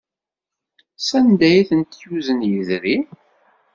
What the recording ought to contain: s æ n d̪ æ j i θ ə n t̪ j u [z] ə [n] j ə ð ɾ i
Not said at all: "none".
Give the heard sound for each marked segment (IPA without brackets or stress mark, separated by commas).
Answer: z, n